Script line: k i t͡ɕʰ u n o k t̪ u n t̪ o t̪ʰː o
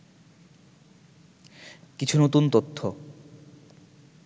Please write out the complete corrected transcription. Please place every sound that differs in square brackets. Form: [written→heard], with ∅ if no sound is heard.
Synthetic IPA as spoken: k i t͡ɕʰ u n o [k→∅] t̪ u n t̪ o t̪ʰː o